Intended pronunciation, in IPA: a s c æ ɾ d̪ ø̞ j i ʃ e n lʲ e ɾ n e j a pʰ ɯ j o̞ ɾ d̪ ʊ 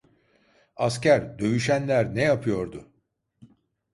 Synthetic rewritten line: a s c æ ɾ d̪ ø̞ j y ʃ æ n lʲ æ ɾ n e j a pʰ ɯ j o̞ ɾ d̪ ʊ

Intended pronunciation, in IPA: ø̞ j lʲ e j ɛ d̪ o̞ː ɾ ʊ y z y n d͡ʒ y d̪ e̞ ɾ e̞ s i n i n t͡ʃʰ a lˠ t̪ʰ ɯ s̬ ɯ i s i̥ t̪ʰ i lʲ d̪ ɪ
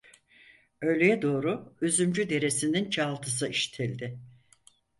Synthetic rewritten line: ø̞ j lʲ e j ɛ d̪ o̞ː ɾ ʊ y z y m d͡ʒ y d̪ e̞ ɾ e̞ s i n i n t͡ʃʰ a lˠ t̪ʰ ɯ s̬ ɯ i ʃ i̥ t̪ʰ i lʲ d̪ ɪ

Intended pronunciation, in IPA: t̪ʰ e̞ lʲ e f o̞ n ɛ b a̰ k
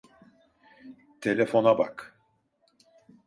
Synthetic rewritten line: t̪ʰ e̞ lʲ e f o̞ n a b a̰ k

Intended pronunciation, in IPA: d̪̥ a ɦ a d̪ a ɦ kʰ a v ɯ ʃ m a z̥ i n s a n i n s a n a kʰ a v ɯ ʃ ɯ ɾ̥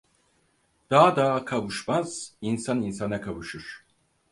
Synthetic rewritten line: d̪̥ a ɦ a d̪ a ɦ kʰ a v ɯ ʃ m a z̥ i n s a n i n s a n a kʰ a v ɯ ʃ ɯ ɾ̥

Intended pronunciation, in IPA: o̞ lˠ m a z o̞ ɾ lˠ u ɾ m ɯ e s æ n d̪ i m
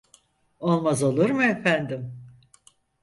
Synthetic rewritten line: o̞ lˠ m a z o̞ lˠ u ɾ m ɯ e f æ n d̪ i m

